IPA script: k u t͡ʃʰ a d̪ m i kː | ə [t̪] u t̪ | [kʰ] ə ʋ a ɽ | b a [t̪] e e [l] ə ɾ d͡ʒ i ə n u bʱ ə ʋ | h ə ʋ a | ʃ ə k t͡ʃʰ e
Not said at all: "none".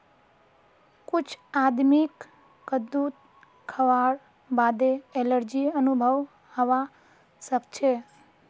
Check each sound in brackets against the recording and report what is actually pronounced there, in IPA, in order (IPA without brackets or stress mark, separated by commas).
d̪, kʰ, d̪, l